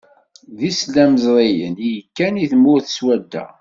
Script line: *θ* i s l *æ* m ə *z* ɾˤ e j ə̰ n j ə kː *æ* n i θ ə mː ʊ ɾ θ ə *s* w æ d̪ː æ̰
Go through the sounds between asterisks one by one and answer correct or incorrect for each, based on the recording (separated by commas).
incorrect, correct, correct, correct, correct